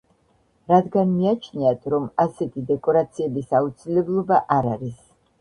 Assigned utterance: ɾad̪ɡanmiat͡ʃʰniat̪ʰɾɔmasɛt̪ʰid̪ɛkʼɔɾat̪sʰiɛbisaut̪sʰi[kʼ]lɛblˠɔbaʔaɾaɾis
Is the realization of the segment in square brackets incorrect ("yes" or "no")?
yes